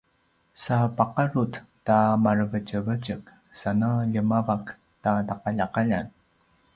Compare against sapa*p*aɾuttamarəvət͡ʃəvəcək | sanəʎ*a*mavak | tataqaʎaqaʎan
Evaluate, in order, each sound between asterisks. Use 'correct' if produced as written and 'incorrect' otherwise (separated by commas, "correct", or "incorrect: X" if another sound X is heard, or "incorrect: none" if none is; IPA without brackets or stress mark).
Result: incorrect: q, incorrect: ə